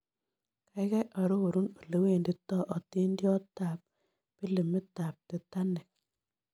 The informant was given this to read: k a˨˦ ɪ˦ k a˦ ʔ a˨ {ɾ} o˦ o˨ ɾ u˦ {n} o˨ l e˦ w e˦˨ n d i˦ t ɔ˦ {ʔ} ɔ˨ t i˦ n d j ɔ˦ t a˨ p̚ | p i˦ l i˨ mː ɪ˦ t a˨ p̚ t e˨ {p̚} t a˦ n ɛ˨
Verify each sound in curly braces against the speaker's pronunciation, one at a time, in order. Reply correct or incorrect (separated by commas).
correct, correct, correct, incorrect